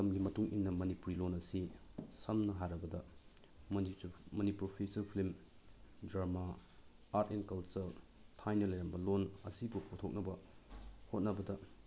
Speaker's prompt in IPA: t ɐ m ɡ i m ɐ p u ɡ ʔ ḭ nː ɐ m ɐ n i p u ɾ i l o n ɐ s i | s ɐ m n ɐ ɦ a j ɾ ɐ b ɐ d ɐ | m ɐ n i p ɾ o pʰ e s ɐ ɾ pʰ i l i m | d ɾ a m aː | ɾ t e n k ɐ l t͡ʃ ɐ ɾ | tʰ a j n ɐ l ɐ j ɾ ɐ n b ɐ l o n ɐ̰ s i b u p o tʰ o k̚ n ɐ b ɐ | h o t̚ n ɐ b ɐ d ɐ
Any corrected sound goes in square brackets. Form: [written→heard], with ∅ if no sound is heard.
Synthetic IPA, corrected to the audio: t ɐ m ɡ i m ɐ [p→t] u [ɡ→ŋ] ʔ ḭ nː ɐ m ɐ n i p u ɾ i l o n ɐ s i | s ɐ m n ɐ ɦ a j ɾ ɐ b ɐ d ɐ | m ɐ n i p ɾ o pʰ e s ɐ ɾ pʰ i l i m | d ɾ a m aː | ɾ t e n k ɐ l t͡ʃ ɐ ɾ | tʰ a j n ɐ l ɐ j ɾ ɐ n b ɐ l o n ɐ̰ s i b u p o tʰ o k̚ n ɐ b ɐ | h o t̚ n ɐ b ɐ d ɐ